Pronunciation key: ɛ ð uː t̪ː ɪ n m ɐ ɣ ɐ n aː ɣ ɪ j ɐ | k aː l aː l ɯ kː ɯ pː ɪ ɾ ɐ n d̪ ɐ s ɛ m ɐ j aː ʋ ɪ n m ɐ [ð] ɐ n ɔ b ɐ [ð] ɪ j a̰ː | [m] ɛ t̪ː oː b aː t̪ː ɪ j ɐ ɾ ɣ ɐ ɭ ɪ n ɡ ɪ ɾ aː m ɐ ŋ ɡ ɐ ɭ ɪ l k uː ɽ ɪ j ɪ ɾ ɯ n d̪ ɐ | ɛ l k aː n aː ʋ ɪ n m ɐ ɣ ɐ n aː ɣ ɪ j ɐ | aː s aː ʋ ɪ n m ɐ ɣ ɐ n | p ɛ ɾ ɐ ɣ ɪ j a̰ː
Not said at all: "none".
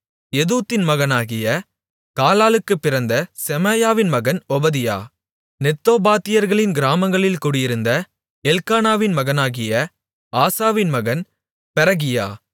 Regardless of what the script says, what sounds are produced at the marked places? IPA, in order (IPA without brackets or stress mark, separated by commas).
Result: ɣ, ð, n